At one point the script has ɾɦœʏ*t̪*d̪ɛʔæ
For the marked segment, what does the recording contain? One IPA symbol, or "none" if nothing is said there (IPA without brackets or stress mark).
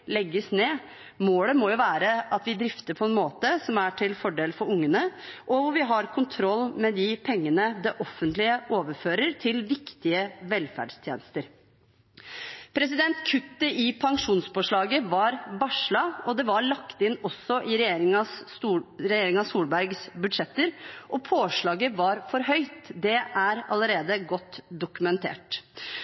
t̪